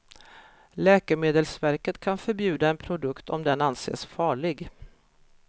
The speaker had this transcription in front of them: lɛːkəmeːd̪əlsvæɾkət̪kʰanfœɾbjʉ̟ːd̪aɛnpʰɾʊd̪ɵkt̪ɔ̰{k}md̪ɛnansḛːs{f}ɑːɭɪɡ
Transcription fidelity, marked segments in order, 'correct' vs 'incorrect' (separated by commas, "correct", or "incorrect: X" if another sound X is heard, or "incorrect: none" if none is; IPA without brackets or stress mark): incorrect: none, correct